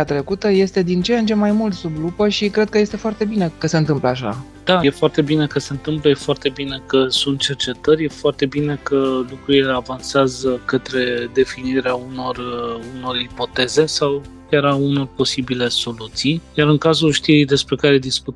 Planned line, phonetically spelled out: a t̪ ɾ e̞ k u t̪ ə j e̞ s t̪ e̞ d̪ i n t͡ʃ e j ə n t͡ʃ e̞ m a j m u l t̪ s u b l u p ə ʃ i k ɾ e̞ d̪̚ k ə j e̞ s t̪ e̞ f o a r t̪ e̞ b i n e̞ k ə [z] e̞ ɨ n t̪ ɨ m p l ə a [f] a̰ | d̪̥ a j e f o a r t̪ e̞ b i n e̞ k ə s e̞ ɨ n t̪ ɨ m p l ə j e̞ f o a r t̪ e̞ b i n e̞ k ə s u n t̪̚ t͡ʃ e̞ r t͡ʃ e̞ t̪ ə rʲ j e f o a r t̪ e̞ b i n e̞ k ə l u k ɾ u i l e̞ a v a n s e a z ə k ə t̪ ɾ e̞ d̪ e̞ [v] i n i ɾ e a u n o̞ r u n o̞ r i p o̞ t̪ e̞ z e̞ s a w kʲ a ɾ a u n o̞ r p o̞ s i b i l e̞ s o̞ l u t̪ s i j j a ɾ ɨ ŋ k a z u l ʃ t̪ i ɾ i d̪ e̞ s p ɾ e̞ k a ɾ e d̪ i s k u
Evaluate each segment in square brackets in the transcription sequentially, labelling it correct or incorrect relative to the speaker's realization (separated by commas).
incorrect, incorrect, incorrect